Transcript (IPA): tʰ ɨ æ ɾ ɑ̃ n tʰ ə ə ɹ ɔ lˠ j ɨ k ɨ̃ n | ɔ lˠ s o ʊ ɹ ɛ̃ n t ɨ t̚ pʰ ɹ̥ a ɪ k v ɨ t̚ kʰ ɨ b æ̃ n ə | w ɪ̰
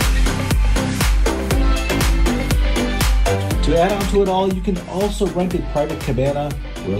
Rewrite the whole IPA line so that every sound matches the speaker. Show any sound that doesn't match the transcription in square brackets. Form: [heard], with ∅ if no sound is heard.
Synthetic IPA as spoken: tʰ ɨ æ ɾ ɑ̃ n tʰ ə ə [ɾ] ɔ lˠ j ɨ k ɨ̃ n | ɔ lˠ s o ʊ ɹ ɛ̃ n t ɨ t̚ pʰ ɹ̥ a ɪ [∅] v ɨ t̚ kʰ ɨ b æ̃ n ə | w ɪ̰